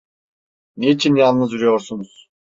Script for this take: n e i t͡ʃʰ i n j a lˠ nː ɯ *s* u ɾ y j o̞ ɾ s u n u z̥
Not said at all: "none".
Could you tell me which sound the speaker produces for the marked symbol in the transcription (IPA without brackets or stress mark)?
z